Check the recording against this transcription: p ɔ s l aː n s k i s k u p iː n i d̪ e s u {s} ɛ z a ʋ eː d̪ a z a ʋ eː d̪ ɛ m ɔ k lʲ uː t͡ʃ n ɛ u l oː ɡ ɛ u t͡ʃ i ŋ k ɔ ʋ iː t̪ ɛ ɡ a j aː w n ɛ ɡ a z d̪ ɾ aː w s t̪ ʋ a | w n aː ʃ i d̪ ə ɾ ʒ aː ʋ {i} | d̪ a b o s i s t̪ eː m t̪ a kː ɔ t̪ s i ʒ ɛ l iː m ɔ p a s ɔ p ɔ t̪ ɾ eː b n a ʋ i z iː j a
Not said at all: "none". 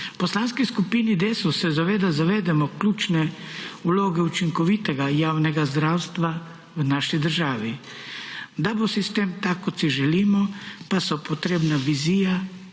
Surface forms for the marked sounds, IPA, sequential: s, i

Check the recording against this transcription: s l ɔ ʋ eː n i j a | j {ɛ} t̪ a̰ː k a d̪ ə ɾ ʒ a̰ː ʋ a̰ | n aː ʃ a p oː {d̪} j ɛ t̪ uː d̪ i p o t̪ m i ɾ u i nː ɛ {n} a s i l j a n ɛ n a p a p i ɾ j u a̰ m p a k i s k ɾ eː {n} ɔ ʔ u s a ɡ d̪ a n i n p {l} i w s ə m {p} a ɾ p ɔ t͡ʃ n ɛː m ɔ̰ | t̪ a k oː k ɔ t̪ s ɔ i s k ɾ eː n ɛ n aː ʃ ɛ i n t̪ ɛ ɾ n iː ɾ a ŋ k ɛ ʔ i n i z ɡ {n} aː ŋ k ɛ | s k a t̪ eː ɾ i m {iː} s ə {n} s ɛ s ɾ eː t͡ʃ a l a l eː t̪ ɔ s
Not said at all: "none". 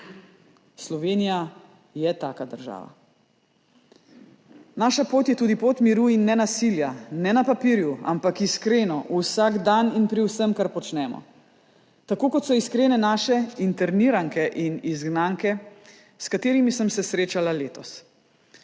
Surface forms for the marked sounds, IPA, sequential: ɛ, t̪, n, n, ɾ, k, n, i, m

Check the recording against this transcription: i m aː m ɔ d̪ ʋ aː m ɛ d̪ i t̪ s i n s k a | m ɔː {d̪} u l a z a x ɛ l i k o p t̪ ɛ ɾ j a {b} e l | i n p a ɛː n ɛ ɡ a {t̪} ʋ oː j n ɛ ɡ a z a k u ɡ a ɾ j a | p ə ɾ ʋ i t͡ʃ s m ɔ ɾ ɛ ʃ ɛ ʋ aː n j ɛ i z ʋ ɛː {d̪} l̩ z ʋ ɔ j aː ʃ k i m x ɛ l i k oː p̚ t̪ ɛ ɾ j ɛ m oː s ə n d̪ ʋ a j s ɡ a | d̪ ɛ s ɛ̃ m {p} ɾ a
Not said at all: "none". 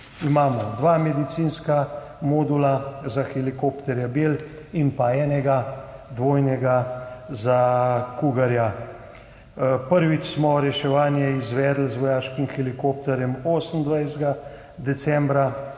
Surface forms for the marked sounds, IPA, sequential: d̪, b, d̪, d̪, b

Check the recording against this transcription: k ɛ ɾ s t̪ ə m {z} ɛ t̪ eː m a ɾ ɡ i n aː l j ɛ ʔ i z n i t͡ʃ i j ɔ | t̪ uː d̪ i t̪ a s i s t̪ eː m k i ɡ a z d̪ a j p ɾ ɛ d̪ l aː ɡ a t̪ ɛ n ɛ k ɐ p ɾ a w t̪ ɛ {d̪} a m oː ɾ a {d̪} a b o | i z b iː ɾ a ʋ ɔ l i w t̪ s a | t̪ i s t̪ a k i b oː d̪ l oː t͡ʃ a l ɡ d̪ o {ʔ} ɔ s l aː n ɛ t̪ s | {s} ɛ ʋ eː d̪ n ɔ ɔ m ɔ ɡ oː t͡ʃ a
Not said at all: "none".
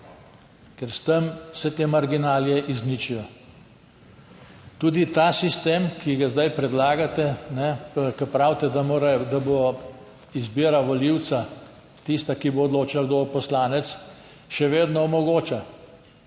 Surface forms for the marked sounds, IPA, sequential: s, d̪, d̪, p, ʃ

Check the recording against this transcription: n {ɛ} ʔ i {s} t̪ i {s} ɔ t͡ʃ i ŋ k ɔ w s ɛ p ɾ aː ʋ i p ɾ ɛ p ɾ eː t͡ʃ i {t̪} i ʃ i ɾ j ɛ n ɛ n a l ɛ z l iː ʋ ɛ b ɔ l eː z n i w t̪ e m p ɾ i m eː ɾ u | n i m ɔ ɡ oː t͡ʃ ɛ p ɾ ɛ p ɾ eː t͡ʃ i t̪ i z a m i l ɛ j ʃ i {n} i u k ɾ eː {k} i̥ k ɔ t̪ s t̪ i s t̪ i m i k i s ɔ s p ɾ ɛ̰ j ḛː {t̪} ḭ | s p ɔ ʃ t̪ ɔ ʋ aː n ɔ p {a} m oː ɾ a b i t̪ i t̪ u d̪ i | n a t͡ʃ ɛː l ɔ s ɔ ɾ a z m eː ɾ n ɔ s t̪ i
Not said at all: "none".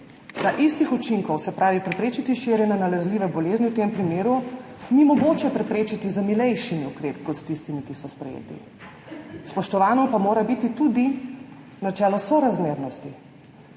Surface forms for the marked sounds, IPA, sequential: a, s, x, t̪, m, p, t̪, a

